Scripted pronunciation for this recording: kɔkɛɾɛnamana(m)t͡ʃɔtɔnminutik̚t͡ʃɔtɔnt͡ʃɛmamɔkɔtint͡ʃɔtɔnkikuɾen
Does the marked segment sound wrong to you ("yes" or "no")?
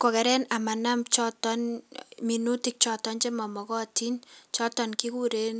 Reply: no